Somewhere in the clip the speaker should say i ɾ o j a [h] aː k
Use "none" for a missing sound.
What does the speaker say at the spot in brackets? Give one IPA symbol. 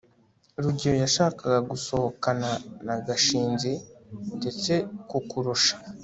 ʃ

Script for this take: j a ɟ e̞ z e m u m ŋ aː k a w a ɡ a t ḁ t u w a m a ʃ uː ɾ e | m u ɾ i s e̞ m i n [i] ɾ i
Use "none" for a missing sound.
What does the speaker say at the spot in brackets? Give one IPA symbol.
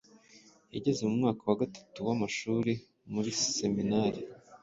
a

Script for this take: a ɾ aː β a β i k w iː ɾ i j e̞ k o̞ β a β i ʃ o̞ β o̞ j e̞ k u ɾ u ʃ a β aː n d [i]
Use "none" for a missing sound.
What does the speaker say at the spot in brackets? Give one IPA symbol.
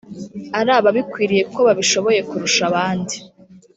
i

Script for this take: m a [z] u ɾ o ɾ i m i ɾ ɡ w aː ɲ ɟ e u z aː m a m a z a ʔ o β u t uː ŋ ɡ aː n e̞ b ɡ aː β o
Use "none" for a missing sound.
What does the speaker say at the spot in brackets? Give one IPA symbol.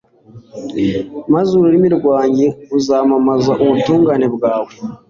z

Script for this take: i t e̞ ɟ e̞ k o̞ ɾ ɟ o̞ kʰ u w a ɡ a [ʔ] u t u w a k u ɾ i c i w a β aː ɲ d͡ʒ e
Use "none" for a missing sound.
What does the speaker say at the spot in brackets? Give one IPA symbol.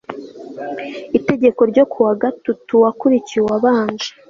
t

